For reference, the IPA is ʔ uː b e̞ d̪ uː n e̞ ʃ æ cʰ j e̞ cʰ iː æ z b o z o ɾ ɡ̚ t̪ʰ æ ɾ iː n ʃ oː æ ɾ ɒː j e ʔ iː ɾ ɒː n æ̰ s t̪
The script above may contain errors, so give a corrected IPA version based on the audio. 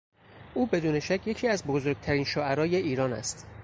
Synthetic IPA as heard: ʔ uː b e̞ d̪ uː n e̞ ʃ æ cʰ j e̞ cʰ iː æ z b o z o ɾ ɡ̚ t̪ʰ æ ɾ iː n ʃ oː æ ɾ ɒː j e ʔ iː ɾ ɒː n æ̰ s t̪

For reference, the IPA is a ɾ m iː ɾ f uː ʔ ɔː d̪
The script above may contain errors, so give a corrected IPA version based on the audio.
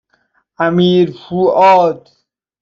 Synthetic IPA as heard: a m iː ɾ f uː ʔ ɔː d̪

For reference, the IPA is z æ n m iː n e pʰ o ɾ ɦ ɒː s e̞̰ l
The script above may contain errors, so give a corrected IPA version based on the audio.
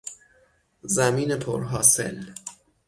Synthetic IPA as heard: z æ m iː n e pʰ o ɾ ɦ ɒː s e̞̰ l

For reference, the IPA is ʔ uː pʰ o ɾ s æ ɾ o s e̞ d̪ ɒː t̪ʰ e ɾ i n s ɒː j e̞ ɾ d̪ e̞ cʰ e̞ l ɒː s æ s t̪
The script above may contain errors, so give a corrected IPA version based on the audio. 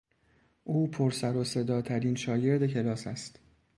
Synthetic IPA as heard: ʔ uː pʰ o ɾ s æ ɾ o s e̞ d̪ ɒː t̪ʰ æ ɾ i n ʃ ɒː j e̞ ɾ d̪ e̞ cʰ e̞ l ɒː s æ s t̪

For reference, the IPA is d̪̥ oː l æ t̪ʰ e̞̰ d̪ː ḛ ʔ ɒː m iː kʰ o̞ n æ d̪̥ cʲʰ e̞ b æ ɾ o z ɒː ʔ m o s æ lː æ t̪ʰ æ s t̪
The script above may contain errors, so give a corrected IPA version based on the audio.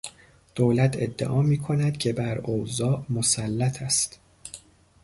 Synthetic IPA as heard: d̪̥ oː l æ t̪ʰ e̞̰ d̪ː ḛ ʔ ɒː m iː kʰ o̞ n æ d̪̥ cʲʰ e̞ b æ ɾ o z ɒː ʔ m o s æ lː æ t̪ʰ æ s t̪

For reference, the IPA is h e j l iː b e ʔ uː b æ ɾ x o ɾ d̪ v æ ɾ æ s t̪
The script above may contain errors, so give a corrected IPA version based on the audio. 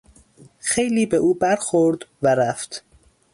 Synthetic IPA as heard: x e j l iː b e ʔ uː b æ ɾ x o ɾ d̪ v æ ɾ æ f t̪

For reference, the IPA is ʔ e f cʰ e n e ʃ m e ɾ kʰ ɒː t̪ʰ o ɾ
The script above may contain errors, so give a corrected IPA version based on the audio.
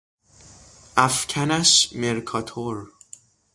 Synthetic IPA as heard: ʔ æ f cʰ æ n æ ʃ m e ɾ kʰ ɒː t̪ʰ o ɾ

